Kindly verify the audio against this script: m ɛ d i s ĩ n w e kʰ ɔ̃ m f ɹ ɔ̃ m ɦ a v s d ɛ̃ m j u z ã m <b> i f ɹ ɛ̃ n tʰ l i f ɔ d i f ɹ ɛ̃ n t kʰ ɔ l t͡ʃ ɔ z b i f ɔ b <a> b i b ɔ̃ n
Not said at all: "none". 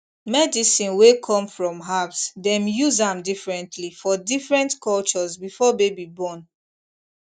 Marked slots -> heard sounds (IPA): d, e

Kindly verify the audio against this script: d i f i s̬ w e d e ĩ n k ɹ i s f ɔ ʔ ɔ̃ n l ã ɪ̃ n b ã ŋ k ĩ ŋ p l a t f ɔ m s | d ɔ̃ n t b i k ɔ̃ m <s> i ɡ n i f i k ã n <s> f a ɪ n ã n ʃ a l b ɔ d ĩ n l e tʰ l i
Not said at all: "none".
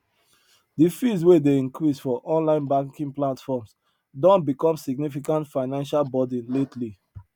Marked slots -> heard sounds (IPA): s, t

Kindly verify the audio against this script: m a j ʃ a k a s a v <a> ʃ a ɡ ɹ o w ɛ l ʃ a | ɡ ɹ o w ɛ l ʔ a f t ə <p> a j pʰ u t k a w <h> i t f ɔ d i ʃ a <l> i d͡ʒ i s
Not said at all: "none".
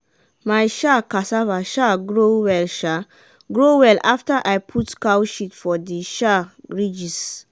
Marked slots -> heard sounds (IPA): a, ʔ, ʃ, ɹ

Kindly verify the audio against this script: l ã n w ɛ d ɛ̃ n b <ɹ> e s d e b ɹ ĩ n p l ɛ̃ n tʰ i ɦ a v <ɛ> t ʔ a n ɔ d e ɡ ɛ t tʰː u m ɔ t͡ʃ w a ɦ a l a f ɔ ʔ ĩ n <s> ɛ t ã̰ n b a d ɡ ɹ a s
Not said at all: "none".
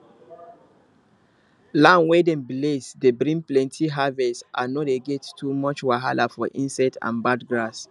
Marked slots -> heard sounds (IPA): l, ɛ, s

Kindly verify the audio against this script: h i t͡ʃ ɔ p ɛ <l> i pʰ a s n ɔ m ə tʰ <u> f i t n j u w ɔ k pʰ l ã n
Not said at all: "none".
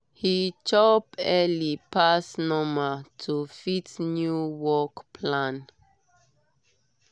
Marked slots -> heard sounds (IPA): l, u

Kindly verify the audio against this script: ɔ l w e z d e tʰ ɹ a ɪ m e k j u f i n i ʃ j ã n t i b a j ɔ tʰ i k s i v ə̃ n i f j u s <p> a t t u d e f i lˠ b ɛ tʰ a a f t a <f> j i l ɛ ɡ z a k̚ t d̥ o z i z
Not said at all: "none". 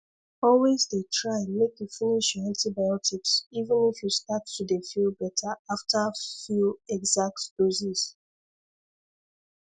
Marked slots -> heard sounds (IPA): t, f

